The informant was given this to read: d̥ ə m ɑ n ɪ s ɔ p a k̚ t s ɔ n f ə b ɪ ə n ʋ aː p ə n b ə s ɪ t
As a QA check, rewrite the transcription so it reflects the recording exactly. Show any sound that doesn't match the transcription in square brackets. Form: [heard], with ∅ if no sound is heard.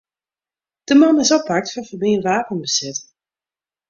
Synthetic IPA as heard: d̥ ə m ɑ n ɪ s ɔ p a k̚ t [f] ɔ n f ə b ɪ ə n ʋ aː p ə n b ə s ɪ t